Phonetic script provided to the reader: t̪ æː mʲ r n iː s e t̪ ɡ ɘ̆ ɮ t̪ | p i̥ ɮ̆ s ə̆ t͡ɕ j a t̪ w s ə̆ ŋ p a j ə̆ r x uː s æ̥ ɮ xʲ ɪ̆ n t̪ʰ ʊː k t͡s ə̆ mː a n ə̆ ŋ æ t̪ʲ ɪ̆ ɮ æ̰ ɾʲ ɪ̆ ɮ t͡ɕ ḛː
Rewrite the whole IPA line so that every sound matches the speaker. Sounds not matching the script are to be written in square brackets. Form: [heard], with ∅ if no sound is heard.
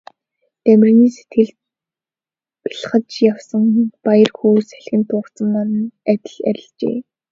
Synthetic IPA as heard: t̪ [æ] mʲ r n iː s e t̪ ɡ ɘ̆ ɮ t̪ | p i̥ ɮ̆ [χ] ə̆ t͡ɕ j a [∅] w s ə̆ ŋ p a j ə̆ r x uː s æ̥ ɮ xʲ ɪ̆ n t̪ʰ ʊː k t͡s ə̆ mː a n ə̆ [n] æ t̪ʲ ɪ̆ ɮ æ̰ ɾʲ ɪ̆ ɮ t͡ɕ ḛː